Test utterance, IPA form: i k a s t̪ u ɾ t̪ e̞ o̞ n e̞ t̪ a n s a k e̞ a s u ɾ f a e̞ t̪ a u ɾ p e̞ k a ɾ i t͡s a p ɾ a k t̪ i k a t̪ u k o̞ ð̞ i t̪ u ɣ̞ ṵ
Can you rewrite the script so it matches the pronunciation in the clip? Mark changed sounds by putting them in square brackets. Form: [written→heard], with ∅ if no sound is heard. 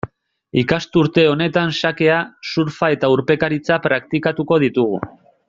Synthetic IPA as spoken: i k a s t̪ u ɾ t̪ e̞ o̞ n e̞ t̪ a n s a k e̞ a s u ɾ f a e̞ t̪ a u ɾ p e̞ k a ɾ i t͡s a p ɾ a k t̪ i k a t̪ u k o̞ ð̞ i t̪ u ɣ̞ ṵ